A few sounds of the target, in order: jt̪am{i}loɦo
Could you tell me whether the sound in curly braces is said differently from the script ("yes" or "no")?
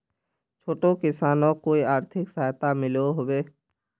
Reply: yes